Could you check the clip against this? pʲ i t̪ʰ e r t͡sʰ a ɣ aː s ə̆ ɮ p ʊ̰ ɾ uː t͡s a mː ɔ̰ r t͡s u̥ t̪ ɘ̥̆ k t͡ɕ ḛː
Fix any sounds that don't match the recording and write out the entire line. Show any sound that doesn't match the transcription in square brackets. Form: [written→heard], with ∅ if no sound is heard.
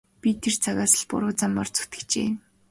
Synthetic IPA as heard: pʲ i t̪ʰ e r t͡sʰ a ɣ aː s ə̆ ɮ p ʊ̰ ɾ [uː→ʊː] t͡s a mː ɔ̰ r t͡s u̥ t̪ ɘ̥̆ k t͡ɕ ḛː